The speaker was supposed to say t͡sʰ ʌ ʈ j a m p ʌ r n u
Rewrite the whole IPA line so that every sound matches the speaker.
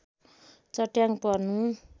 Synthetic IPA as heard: t͡s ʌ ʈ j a ŋ p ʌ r n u